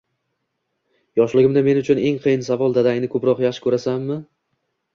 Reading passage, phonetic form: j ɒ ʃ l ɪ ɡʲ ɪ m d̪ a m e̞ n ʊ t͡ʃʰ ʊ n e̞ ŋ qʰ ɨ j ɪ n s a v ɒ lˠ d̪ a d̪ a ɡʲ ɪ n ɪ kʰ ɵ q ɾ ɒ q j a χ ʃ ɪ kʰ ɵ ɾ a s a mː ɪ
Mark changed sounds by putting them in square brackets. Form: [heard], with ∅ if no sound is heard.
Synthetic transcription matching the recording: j ɒ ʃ l ɪ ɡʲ ɪ m d̪ a m e̞ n ʊ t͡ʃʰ ʊ n e̞ ŋ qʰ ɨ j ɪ n s a v ɒ lˠ d̪ a d̪ a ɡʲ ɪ n ɪ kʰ ɵ [p] ɾ ɒ q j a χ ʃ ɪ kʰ ɵ ɾ a s a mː ɪ